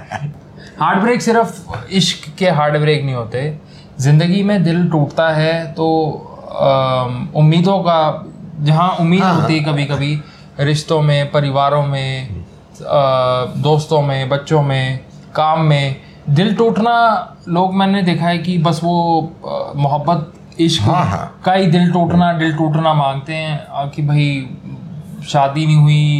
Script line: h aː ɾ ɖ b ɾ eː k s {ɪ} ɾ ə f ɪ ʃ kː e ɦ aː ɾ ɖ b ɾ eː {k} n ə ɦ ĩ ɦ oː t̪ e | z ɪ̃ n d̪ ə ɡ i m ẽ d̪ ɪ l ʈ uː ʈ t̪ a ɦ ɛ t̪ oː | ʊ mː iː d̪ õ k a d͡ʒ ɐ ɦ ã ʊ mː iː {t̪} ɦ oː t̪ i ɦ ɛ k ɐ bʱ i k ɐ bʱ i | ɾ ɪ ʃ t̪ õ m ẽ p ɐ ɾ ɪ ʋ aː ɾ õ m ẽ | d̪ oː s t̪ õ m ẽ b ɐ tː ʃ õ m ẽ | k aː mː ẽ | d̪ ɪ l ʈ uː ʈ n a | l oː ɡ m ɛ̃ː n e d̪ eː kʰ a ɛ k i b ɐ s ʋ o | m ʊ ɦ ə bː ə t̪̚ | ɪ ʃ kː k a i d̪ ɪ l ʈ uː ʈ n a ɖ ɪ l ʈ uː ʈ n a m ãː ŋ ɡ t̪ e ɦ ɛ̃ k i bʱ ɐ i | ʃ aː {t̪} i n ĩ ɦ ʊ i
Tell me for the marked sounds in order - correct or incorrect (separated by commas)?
correct, correct, incorrect, incorrect